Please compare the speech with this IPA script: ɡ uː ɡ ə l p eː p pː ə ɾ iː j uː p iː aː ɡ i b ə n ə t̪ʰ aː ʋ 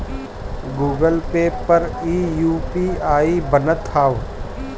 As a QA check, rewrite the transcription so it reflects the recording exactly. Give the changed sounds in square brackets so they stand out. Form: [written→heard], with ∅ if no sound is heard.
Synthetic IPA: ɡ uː ɡ ə l p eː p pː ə ɾ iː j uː p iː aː [ɡ→∅] i b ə n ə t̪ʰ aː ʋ